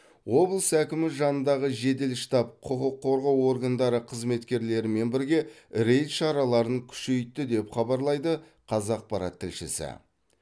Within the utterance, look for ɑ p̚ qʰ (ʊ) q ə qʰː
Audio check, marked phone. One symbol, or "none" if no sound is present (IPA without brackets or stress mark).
ʊ